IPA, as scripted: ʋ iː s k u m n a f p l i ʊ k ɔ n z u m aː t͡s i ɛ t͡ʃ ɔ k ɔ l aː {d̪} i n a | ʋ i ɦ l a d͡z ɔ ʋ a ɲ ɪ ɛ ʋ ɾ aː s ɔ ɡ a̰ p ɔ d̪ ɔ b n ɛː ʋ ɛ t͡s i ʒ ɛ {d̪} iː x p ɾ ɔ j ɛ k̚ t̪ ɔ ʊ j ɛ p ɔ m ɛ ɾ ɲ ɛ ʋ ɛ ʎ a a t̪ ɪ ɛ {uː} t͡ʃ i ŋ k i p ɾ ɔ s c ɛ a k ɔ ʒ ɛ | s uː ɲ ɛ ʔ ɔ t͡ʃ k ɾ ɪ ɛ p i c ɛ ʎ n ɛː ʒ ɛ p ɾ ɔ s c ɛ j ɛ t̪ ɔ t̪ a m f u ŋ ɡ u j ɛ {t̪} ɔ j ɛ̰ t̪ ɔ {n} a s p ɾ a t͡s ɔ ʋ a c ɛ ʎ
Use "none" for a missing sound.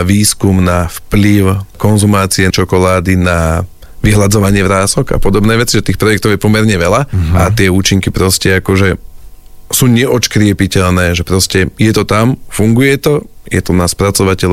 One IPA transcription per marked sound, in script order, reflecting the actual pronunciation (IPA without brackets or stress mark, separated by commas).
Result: d̪, t̪, uː, t̪, n